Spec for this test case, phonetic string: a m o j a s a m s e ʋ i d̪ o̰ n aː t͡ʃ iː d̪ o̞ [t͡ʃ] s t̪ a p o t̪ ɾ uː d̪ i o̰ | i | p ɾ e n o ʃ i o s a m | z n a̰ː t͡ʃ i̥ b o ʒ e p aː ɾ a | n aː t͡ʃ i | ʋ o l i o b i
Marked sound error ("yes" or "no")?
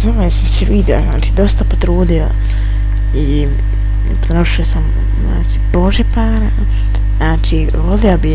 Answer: yes